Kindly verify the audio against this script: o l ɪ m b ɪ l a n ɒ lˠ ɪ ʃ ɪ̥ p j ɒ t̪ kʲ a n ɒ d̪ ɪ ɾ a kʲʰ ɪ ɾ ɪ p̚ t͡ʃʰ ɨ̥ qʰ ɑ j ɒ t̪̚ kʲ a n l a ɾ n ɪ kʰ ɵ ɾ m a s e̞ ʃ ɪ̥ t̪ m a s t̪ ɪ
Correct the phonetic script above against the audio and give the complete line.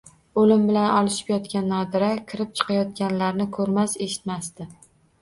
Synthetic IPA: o l ɪ m b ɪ l a n ɒ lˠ ɪ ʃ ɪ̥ p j ɒ t̪ kʲ a nː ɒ d̪ ɪ ɾ a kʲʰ ɪ ɾ ɪ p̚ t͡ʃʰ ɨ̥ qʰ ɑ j ɒ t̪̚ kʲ a n l a ɾ n ɪ kʰ ɵ ɾ m a s e̞ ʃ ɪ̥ t̪ m a s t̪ ɪ